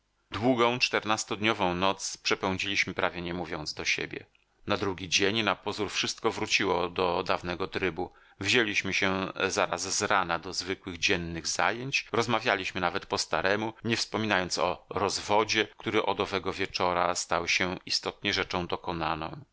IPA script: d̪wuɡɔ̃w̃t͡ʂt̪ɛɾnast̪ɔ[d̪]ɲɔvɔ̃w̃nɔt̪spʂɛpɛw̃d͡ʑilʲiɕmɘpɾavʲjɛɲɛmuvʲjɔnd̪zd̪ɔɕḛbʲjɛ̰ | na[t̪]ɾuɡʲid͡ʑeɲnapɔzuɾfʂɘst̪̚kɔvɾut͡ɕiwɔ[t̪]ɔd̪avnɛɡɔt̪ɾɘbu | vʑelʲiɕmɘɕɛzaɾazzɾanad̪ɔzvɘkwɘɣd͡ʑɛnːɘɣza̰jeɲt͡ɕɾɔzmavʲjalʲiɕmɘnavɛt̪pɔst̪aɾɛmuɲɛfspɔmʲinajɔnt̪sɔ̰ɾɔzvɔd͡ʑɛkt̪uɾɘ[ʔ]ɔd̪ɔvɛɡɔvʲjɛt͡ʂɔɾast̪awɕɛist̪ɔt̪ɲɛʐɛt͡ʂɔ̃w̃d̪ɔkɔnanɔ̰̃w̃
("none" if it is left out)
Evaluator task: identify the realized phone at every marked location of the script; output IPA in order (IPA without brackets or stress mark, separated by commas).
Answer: d̪, d̪, d̪, ʔ